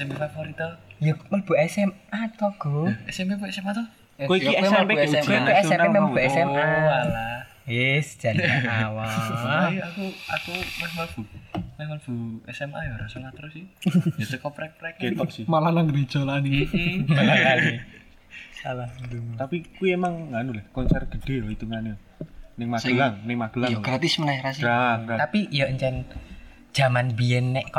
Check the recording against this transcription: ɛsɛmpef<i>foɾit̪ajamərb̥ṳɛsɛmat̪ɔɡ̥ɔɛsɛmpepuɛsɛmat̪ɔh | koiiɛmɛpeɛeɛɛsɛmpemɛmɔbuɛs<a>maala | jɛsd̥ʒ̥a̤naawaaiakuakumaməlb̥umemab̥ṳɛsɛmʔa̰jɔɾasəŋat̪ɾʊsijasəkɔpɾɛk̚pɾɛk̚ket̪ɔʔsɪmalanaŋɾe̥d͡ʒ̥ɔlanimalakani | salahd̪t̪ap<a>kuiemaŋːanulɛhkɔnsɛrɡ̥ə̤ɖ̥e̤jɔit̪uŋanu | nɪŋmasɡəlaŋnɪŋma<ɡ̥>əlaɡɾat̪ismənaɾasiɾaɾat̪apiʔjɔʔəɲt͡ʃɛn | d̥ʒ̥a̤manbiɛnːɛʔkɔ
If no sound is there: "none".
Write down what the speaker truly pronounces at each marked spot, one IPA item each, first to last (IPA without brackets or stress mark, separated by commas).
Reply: a, ɛ, i, ɡ̥